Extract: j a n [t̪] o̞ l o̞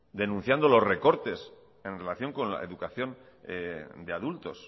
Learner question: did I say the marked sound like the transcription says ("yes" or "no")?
no